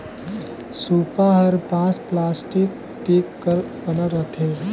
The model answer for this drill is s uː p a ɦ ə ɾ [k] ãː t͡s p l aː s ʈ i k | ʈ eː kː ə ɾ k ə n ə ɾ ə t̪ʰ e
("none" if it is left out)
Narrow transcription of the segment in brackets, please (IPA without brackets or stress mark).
p